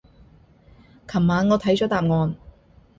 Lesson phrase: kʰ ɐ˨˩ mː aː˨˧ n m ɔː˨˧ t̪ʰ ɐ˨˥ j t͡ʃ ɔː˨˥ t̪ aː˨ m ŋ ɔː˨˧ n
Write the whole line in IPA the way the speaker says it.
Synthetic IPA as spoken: kʰ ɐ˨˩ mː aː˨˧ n ŋ ɔː˨˧ t̪ʰ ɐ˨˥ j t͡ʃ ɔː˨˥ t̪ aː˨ m ŋ ɔː˨˧ n

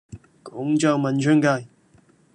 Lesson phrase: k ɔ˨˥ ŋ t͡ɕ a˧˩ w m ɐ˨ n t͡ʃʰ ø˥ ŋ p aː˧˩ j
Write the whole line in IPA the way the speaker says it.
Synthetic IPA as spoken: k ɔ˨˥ ŋ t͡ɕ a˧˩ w m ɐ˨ n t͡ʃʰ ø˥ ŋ k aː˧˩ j

